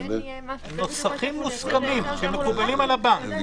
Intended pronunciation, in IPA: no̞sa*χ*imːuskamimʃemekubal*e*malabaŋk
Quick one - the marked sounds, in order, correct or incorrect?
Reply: correct, incorrect: i

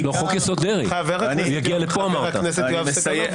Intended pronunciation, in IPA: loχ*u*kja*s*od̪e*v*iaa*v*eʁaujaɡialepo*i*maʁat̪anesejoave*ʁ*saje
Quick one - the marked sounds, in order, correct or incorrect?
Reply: incorrect: o, correct, incorrect: ʁ, correct, incorrect: a, incorrect: none

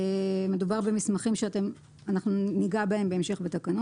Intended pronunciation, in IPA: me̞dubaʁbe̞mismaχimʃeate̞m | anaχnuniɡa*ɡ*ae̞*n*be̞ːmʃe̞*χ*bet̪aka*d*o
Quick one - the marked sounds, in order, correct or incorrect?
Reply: incorrect: b, incorrect: m, correct, incorrect: n

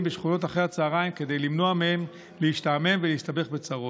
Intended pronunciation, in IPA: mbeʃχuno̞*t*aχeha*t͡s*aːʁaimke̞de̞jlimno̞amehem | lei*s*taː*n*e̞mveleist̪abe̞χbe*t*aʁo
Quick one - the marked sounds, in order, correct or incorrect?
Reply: correct, correct, incorrect: ʃ, incorrect: m, incorrect: t͡s

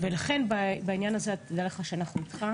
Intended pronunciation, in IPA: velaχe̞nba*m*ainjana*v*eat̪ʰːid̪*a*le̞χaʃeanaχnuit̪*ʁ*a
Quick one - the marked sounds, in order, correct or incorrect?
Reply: incorrect: b, incorrect: z, correct, incorrect: χ

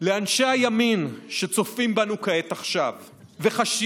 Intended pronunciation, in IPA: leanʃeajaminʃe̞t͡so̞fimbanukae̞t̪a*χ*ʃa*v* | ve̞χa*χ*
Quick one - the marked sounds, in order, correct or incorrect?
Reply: correct, correct, incorrect: ʃ

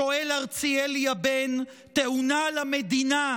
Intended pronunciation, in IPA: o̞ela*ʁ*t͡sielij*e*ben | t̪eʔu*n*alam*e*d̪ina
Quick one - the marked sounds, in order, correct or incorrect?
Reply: correct, incorrect: a, correct, correct

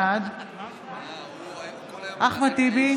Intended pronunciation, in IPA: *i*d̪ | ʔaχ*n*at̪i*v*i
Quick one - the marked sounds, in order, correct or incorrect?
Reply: incorrect: a, incorrect: m, incorrect: b

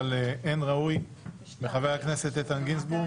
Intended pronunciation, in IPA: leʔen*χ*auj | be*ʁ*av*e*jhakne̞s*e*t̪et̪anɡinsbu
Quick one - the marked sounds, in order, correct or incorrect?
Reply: incorrect: ʁ, incorrect: χ, correct, correct

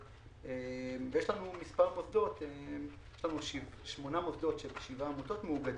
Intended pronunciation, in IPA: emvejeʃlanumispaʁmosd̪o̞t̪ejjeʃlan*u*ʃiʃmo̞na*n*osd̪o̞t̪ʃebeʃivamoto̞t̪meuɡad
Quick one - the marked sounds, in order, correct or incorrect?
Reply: correct, incorrect: m

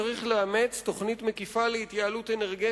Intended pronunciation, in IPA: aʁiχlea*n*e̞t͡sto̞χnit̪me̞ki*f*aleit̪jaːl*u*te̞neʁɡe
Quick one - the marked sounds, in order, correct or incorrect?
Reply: incorrect: m, correct, correct

